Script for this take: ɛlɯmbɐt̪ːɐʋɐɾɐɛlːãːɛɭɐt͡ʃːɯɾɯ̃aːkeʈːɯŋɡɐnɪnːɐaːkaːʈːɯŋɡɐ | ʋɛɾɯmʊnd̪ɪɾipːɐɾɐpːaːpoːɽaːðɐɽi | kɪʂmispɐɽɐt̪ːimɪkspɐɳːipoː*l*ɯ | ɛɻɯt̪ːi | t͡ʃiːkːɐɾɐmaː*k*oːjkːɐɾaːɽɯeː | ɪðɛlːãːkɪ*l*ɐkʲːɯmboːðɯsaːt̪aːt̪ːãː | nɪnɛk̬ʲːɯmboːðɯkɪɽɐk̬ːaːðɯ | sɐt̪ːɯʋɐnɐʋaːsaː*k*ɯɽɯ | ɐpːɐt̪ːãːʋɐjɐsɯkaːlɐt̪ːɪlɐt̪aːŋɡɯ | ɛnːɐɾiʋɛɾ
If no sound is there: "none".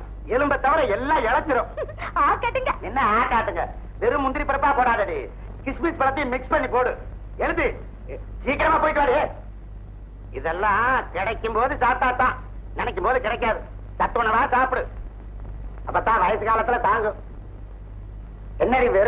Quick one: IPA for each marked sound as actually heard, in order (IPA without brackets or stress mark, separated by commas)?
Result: ɽ, p, ɽ, p